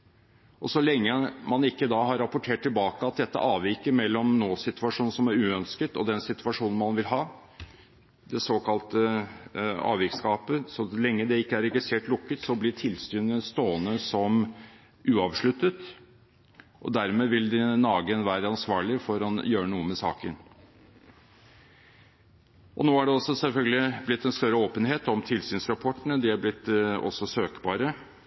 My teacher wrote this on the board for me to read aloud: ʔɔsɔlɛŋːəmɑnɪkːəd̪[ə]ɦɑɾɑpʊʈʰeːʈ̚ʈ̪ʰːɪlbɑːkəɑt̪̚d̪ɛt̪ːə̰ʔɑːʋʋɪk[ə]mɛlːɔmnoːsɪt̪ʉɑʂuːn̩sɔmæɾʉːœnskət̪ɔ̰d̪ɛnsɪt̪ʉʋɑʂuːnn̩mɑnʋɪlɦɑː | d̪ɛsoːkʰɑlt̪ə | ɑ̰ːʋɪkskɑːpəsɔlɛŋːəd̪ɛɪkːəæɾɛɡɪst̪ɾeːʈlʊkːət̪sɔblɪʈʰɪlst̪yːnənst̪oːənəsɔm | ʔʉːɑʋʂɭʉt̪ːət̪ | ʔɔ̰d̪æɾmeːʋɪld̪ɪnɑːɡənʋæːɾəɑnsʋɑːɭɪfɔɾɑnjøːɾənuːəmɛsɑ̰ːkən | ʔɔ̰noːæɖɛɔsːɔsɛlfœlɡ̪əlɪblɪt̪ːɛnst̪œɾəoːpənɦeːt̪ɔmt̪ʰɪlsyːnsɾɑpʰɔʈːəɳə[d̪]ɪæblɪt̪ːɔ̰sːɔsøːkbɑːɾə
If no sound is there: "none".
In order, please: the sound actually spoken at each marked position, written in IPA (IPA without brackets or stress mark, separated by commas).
ɑ, ə, d̪